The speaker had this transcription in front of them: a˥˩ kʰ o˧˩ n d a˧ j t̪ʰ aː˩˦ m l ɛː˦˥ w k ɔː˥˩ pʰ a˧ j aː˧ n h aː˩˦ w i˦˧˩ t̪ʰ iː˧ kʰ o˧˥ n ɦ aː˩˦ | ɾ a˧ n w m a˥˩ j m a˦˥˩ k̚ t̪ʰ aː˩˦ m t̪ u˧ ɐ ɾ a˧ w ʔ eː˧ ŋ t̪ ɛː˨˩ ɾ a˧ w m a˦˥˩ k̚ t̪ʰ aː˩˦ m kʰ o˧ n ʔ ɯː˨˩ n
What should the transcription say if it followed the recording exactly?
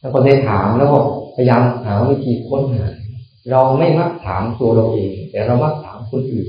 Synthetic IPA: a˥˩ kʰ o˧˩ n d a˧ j t̪ʰ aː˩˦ m l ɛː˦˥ w k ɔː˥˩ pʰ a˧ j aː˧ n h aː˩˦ w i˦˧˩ t̪ʰ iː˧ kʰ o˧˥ n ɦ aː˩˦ | ɾ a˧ w m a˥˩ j m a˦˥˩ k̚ t̪ʰ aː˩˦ m t̪ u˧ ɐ ɾ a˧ w ʔ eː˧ ŋ t̪ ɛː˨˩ ɾ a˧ w m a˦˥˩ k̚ t̪ʰ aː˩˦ m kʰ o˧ n ʔ ɯː˨˩ n